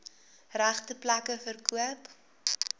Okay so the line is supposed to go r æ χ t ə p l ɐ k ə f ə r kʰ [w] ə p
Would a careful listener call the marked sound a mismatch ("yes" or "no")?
yes